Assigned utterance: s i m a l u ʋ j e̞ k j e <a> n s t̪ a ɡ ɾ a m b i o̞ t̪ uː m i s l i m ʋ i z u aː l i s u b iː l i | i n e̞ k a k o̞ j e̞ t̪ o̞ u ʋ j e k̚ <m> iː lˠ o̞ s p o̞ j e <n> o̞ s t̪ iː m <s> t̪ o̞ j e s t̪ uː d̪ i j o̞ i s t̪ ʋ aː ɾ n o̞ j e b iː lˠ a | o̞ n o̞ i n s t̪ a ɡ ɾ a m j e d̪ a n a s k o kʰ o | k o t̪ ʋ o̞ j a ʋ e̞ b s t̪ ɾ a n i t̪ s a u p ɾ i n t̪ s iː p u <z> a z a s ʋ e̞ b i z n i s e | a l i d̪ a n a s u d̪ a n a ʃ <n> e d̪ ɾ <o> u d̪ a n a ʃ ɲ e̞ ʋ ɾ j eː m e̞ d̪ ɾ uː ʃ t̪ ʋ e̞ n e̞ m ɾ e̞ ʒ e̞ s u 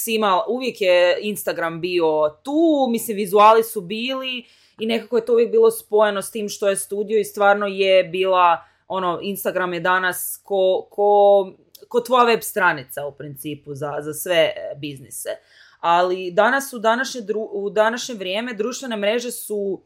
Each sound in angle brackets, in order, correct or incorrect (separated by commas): incorrect, incorrect, correct, incorrect, correct, incorrect, incorrect